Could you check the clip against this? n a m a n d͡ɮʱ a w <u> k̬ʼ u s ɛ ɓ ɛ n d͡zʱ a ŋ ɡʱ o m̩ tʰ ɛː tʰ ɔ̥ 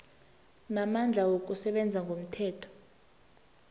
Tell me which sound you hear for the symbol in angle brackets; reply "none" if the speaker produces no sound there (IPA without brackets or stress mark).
o